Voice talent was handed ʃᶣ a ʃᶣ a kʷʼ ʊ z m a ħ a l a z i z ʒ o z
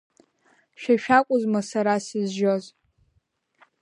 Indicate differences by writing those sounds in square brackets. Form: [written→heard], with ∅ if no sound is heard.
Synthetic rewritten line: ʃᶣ a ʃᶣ a kʷʼ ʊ z m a [ħ→s] a [l→ɾ] a [z→s] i z ʒ o z